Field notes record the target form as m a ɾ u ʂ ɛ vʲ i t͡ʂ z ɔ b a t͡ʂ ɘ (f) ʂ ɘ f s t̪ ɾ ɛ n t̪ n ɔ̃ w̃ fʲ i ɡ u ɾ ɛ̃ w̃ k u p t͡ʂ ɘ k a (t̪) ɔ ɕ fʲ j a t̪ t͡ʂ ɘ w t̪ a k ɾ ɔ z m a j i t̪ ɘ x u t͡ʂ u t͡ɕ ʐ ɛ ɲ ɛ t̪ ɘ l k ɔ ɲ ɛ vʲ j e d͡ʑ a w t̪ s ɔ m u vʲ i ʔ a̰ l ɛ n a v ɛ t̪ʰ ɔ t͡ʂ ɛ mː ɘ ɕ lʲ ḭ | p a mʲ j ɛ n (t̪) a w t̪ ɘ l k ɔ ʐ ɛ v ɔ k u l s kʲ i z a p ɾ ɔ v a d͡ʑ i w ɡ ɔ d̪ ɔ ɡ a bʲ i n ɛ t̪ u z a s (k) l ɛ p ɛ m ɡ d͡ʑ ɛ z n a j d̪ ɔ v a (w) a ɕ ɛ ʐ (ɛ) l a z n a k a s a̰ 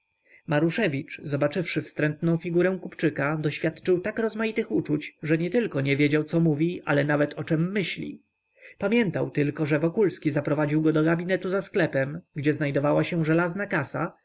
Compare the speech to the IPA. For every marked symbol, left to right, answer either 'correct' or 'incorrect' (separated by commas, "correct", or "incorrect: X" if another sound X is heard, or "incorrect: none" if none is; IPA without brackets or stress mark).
correct, incorrect: d̪, correct, correct, correct, correct